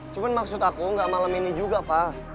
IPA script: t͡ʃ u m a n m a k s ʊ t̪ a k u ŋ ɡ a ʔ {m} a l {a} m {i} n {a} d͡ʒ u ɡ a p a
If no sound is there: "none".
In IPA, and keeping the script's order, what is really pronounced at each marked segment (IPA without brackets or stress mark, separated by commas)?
m, a, i, i